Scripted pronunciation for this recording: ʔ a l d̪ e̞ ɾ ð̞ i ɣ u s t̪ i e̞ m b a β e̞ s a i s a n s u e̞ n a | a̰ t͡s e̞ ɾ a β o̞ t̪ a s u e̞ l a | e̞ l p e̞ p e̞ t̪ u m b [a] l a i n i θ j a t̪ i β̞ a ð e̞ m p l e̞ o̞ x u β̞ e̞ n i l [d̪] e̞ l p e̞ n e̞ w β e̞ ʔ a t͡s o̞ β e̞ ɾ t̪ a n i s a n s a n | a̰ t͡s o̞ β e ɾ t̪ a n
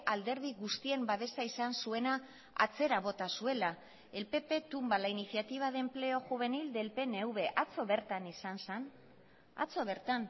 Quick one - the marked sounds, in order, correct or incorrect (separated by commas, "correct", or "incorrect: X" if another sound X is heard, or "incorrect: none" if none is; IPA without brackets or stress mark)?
correct, correct